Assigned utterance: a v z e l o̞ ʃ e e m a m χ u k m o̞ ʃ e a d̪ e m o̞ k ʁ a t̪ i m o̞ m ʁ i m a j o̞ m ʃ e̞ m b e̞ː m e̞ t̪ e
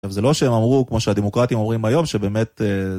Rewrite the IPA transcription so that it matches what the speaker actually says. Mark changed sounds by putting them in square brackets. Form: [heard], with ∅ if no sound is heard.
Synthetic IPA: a v z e l o̞ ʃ e e m a m [ʁ] u k m o̞ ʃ e a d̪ e m o̞ k ʁ a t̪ i m o̞ m ʁ i m a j o̞ m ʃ e̞ [∅] b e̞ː m e̞ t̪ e